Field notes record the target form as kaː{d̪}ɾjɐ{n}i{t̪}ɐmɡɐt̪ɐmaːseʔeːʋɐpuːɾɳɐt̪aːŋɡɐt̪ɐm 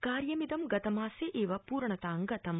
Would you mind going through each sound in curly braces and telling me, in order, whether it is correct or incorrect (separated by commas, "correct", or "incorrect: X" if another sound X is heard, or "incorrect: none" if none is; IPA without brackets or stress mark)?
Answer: incorrect: none, incorrect: m, incorrect: d̪